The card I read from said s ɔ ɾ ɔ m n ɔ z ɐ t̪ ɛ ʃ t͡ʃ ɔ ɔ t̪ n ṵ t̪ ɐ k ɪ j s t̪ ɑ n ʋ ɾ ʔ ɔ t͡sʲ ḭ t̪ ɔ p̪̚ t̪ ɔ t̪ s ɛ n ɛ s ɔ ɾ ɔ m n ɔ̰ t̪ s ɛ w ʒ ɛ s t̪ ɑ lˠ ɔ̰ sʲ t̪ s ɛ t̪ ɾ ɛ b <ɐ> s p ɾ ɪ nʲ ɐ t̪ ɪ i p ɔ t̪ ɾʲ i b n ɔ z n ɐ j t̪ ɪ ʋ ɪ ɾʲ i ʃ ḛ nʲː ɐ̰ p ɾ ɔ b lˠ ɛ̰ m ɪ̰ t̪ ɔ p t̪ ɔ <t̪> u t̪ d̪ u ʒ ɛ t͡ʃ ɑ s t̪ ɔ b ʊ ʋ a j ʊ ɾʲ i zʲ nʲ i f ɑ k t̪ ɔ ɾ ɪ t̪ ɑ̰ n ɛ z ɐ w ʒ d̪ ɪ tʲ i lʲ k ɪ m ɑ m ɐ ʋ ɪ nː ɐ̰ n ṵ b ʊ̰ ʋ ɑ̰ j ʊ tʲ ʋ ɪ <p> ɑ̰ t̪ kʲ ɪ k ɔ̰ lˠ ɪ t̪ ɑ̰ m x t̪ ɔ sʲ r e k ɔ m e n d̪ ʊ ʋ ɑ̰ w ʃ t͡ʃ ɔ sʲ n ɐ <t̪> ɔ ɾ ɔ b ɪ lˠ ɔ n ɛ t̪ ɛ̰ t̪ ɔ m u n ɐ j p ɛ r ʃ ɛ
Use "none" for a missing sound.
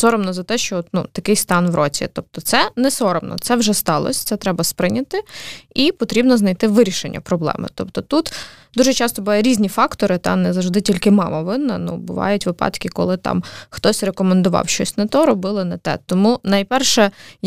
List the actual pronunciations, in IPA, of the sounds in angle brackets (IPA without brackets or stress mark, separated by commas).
ɐ, t̪, p, t̪